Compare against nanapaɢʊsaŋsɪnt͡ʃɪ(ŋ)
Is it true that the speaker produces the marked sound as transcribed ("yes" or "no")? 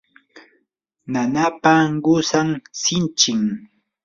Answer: yes